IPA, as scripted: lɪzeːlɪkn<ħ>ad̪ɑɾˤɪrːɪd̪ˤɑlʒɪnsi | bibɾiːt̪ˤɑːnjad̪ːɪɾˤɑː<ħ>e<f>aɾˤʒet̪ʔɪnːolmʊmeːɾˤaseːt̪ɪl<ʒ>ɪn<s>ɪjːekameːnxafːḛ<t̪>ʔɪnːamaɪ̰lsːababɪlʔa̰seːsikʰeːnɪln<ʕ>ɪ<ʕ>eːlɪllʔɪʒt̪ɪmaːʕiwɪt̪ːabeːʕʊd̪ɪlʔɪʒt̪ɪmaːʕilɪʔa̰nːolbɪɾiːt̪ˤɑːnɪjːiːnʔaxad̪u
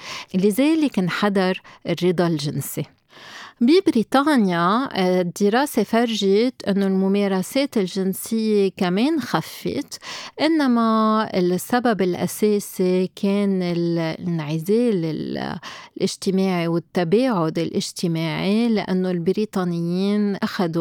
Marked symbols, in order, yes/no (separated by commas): yes, no, yes, yes, yes, yes, yes, no